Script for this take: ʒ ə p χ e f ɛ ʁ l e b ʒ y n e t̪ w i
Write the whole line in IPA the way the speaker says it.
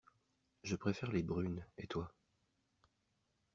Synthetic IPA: ʒ ə p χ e f ɛ ʁ l e b ʁ y n e t̪ w a